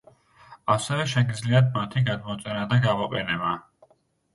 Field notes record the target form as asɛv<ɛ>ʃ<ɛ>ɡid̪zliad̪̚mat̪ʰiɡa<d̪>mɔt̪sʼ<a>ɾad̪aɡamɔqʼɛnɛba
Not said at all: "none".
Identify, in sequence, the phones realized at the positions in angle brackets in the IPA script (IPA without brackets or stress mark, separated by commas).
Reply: ɛ, ɛ, d̪, ɛ